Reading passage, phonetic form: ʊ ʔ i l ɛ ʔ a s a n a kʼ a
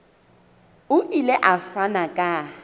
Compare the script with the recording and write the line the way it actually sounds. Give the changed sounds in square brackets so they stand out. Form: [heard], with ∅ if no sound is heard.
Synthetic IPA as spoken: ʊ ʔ i l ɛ ʔ a [f] a n a kʼ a

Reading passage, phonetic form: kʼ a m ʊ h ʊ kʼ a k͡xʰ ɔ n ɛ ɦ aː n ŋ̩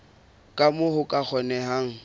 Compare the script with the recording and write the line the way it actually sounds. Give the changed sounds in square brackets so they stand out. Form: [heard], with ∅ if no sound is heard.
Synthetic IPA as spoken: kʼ a m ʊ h ʊ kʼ a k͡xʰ ɔ n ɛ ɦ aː [∅] ŋ̩

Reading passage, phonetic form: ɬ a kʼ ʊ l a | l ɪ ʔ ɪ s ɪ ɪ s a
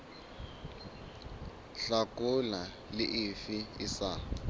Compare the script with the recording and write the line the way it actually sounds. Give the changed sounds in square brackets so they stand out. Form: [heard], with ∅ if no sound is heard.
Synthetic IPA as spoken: ɬ a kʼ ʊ l a | l ɪ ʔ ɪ [f] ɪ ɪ s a

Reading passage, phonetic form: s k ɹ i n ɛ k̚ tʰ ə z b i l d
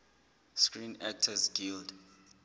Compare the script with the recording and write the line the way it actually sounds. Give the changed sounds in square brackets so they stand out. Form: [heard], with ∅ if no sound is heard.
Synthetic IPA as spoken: s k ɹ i n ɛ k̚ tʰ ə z [ɡ] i l d

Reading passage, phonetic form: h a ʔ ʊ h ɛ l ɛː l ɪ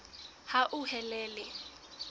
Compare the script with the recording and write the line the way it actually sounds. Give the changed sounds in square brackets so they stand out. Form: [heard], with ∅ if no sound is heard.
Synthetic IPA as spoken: h a ʔ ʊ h ɛ l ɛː l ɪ

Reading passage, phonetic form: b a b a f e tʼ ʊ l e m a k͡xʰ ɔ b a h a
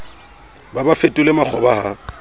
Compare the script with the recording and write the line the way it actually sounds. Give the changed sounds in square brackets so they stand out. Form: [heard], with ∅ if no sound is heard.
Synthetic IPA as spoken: b a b a f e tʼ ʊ l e m a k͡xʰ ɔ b a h a

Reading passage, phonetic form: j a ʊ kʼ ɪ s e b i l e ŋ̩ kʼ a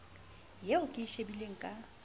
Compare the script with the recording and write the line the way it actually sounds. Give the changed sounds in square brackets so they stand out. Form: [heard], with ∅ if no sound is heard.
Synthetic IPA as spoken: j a ʊ kʼ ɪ [ʃ] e b i l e ŋ̩ kʼ a

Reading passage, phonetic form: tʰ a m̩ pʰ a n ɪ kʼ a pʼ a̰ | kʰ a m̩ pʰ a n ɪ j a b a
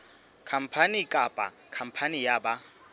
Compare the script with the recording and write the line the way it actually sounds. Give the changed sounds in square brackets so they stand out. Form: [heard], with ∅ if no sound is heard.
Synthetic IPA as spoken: [kʰ] a m̩ pʰ a n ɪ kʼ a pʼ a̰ | kʰ a m̩ pʰ a n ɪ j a b a

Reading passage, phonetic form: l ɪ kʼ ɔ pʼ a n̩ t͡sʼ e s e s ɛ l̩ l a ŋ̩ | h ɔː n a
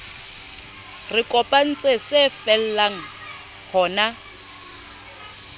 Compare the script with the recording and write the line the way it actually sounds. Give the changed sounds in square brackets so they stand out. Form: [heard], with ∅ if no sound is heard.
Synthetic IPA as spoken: [r] ɪ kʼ ɔ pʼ a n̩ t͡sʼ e s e [f] ɛ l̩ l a ŋ̩ | h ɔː n a

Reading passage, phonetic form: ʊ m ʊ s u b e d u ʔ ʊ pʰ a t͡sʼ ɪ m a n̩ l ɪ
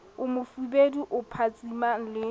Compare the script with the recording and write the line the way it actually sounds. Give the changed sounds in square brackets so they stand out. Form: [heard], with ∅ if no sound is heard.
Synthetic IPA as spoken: ʊ m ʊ [f] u b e d u ʔ ʊ pʰ a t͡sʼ [i] m a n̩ l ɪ

